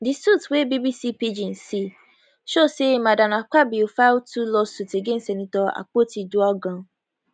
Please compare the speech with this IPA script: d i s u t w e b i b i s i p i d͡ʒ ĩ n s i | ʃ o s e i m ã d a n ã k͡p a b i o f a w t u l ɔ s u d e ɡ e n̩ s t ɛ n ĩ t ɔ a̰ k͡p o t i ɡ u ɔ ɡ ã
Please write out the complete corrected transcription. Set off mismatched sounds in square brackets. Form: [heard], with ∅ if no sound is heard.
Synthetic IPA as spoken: d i s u t w e b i b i s i p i d͡ʒ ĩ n s i | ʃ o s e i m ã d a n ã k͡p a b i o f a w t u l ɔ s u [t] e ɡ e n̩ s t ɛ n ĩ t ɔ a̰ k͡p o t i [d] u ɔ ɡ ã